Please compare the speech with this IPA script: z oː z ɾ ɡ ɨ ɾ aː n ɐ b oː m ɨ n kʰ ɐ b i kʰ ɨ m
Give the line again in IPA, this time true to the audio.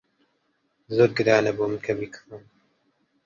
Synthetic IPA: z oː ɾ ɡ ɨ ɾ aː n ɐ b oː m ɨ n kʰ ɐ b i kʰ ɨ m